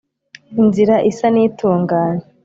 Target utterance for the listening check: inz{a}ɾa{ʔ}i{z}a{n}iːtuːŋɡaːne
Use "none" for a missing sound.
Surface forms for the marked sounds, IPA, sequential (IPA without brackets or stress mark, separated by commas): i, ʔ, s, n